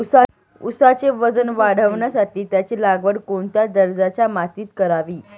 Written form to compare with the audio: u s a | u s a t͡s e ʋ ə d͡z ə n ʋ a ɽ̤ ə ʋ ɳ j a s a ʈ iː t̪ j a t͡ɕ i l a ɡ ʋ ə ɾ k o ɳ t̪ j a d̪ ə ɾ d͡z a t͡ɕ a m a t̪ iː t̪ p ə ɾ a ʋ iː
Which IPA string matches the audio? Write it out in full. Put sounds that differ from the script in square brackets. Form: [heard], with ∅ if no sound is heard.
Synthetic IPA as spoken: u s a | u s a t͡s e ʋ ə d͡z ə n ʋ a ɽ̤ ə ʋ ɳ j a s a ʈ iː t̪ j a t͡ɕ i l a ɡ ʋ ə [ɽ] k o ɳ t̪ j a d̪ ə ɾ d͡z a t͡ɕ a m a t̪ iː t̪ [k] ə ɾ a ʋ iː